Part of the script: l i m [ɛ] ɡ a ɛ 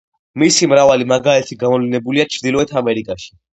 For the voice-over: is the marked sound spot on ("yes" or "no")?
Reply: no